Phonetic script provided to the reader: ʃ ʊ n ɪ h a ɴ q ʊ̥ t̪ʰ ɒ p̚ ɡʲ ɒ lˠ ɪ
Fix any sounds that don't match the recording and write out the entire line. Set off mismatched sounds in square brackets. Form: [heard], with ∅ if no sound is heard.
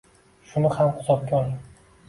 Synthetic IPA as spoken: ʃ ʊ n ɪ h a [m] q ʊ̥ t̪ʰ ɒ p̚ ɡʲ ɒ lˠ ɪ